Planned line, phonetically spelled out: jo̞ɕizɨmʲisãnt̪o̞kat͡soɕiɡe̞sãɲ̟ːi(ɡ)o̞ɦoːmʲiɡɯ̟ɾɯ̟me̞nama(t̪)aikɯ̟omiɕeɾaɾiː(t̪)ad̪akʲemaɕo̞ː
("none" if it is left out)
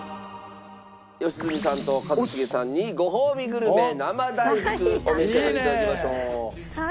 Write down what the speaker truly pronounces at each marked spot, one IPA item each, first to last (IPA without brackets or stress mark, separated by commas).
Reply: ɡ, d̪, t̪